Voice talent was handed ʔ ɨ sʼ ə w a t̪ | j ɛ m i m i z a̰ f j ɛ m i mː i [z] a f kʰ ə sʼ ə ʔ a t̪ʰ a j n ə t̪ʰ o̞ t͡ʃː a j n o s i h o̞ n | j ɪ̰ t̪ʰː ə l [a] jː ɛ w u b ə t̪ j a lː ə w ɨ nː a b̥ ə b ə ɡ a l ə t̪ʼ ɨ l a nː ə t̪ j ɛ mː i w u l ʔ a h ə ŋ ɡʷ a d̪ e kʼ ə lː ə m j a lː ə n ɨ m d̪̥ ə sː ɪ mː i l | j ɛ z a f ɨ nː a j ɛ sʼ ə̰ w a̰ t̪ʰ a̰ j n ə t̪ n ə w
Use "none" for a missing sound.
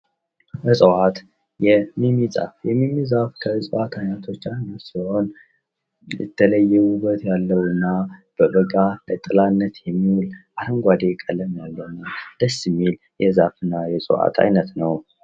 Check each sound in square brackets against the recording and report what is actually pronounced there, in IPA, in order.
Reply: z, ə

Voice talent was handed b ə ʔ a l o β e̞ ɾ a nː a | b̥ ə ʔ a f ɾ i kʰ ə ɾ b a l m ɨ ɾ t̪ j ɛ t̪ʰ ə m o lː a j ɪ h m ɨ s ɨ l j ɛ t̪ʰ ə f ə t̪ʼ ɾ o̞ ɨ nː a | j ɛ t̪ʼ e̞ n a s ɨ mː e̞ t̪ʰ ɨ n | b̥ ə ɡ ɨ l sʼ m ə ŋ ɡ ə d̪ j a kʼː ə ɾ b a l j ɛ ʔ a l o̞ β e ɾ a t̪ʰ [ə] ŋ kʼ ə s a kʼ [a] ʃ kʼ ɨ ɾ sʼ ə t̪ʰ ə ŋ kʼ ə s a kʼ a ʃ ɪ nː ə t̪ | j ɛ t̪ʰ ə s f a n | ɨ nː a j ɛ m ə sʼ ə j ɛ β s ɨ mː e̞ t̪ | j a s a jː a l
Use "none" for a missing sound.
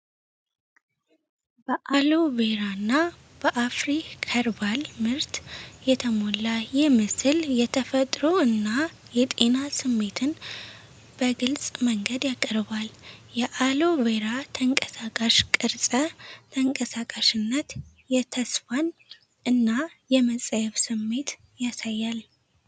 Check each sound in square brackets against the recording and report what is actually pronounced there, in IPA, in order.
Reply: ə, a

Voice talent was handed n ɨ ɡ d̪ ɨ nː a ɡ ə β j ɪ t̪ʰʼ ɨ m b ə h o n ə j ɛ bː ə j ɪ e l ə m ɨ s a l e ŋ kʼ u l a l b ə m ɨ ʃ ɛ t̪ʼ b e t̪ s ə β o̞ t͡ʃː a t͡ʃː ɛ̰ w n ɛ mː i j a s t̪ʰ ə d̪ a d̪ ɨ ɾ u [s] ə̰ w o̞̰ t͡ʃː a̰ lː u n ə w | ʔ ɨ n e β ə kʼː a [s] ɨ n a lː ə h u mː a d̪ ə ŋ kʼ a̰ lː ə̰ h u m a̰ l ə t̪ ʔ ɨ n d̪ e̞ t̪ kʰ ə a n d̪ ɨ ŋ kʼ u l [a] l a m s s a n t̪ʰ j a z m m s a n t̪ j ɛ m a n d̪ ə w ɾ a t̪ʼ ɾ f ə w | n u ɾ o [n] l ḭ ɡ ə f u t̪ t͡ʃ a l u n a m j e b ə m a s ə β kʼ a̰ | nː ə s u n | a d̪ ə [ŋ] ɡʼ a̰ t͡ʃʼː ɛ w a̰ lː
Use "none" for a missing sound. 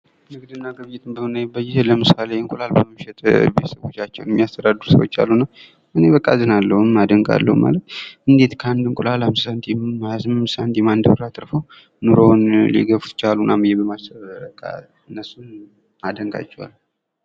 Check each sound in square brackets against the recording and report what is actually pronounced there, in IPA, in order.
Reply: s, z, a, n, ŋ

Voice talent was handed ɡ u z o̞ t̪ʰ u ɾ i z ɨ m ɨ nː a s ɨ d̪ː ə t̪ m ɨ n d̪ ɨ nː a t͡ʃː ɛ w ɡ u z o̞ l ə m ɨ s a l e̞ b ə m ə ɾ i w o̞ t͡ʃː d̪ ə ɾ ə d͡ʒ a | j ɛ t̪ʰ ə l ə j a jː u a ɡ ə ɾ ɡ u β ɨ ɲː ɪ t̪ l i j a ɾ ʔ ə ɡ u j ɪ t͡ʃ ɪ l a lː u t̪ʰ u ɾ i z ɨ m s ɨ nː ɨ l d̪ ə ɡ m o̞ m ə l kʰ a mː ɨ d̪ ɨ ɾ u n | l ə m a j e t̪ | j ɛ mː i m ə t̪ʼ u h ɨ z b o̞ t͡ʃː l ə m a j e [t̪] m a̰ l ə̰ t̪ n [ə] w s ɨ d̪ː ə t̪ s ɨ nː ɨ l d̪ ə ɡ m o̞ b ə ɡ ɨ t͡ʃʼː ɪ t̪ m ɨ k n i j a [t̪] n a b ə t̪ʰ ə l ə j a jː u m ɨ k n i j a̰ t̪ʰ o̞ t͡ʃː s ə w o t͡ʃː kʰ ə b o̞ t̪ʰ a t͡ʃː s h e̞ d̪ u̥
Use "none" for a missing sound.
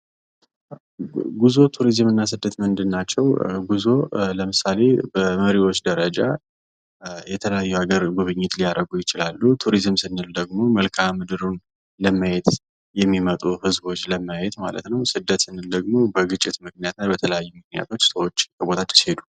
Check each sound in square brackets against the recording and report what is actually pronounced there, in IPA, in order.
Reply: t̪, ə, t̪

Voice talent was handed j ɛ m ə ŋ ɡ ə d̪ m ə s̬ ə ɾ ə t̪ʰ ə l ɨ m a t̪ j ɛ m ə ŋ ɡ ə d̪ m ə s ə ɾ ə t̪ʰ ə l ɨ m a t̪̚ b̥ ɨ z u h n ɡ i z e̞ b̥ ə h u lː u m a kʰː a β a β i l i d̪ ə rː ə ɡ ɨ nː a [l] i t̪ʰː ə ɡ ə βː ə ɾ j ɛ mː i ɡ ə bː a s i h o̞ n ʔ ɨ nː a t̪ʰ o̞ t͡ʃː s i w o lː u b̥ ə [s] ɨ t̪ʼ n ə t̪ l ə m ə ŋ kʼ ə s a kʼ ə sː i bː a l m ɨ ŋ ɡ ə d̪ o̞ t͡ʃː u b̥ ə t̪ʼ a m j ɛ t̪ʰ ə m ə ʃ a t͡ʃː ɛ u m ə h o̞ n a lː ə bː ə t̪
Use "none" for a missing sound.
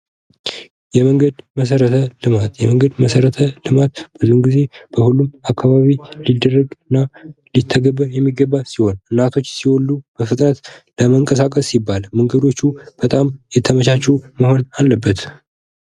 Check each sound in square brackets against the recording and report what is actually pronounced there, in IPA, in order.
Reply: l, f

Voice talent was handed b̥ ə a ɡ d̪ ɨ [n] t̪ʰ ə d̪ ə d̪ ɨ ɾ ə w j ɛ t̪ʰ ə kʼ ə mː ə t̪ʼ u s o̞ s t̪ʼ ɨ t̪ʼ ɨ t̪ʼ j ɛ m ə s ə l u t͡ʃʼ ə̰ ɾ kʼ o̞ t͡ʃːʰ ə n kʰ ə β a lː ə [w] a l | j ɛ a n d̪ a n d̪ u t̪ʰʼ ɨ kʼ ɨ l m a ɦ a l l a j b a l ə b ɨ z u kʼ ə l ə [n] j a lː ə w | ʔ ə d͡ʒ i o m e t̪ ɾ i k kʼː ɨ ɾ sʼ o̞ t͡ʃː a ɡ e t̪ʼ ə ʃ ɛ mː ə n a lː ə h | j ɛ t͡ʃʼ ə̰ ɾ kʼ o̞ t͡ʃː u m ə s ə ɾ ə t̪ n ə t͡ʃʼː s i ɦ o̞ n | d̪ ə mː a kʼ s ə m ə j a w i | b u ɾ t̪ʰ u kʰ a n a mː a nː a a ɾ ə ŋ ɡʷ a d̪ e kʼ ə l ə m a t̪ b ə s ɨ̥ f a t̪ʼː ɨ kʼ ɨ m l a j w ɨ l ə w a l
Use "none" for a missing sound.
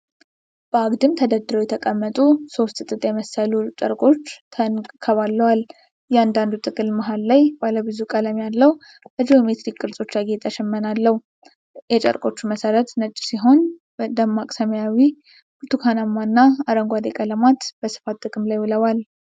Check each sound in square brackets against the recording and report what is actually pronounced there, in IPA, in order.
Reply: m, w, m

